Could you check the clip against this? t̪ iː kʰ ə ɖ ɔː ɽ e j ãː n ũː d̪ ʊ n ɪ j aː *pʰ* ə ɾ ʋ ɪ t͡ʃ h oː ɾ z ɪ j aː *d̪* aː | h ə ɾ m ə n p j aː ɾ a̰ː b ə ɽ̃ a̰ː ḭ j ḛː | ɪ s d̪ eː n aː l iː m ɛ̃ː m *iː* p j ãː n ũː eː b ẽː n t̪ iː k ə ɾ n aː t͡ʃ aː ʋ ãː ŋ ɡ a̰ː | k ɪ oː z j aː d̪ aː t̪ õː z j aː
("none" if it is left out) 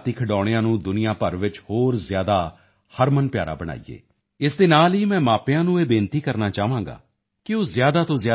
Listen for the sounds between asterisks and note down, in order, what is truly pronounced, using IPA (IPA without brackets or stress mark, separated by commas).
p, d̪, aː